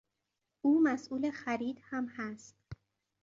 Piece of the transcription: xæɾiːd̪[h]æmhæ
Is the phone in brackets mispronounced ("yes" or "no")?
no